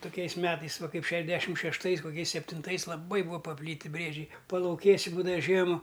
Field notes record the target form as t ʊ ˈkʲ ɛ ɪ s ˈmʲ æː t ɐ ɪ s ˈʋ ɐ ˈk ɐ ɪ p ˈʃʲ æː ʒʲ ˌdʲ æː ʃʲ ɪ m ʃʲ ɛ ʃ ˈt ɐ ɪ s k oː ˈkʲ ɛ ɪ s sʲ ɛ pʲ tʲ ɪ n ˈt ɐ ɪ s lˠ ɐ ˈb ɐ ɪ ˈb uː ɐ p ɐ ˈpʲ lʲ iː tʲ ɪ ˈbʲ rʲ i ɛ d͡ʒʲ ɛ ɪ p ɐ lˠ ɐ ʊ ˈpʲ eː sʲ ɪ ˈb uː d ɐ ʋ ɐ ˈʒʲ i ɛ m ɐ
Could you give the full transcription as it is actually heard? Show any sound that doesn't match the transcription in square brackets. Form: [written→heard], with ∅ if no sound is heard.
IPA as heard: t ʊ ˈkʲ ɛ ɪ s ˈmʲ æː t ɐ ɪ s ˈʋ ɐ ˈk ɐ ɪ p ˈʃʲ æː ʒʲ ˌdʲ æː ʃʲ ɪ m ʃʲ ɛ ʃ ˈt ɐ ɪ s k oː ˈkʲ ɛ ɪ s sʲ ɛ pʲ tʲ ɪ n ˈt ɐ ɪ s lˠ ɐ ˈb ɐ ɪ ˈb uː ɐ p ɐ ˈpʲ lʲ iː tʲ ɪ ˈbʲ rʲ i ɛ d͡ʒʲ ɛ ɪ p ɐ lˠ ɐ ʊ [ˈpʲ→ˈkʲ] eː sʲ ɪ ˈb uː d ɐ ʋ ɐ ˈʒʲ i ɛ m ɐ